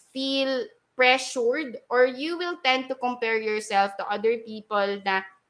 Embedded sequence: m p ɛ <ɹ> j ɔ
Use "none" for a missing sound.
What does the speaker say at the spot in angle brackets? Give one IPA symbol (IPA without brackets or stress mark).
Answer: ɹ